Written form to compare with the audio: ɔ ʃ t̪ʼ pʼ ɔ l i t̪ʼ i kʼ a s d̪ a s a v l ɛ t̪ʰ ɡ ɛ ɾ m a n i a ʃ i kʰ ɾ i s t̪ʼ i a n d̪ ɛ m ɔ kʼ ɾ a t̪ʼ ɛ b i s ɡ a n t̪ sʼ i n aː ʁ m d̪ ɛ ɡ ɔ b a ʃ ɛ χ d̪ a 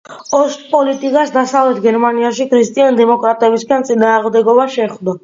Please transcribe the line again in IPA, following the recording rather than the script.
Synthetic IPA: ɔ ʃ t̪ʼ pʼ ɔ l i t̪ʼ i kʼ a s d̪ a s a v l ɛ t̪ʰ ɡ ɛ ɾ m a n i a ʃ i kʰ ɾ i s t̪ʼ i a n d̪ ɛ m ɔ kʼ ɾ a t̪ʼ ɛ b i s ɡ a n t̪ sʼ i n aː ʁ m d̪ ɛ ɡ ɔ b a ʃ ɛ χ d̪ a